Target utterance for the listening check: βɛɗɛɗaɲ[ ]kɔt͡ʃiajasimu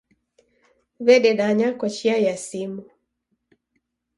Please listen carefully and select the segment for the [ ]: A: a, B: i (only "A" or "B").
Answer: A